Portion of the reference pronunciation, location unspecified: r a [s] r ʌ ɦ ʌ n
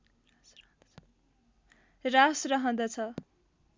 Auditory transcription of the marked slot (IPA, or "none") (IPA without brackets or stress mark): s